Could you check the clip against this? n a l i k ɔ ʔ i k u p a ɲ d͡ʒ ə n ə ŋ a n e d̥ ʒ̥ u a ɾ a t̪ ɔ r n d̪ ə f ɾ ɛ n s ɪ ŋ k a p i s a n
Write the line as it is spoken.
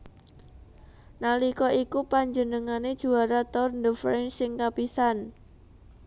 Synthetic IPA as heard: n a l i k ɔ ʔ i k u p a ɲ d͡ʒ ə n ə ŋ a n e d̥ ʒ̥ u a ɾ a t̪ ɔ r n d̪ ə f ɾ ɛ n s ɪ ŋ k a p i s a n